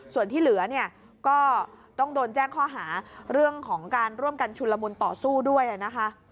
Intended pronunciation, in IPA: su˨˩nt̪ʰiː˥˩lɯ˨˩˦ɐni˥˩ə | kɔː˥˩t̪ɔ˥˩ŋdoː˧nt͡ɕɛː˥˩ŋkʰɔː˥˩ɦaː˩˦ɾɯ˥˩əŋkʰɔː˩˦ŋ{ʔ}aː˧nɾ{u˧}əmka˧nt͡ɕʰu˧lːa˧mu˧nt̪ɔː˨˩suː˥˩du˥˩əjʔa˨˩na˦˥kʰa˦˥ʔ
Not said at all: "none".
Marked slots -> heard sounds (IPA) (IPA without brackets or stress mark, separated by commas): k, u˥˩